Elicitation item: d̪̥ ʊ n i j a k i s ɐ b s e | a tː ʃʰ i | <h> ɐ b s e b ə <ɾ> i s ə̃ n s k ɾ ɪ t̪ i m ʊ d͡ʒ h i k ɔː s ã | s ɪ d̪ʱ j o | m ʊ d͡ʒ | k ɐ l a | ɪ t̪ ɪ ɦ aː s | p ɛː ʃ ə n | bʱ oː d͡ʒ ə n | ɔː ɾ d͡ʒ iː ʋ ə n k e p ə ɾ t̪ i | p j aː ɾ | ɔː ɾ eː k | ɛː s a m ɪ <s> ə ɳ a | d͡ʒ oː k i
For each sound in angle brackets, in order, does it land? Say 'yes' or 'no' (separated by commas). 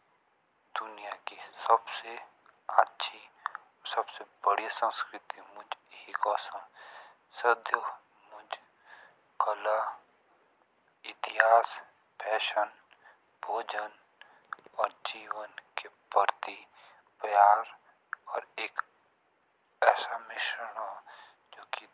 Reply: no, no, no